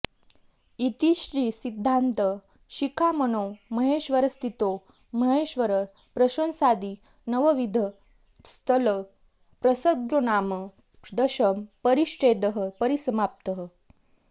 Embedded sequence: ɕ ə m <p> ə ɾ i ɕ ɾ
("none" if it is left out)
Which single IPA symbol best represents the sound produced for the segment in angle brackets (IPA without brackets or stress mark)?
p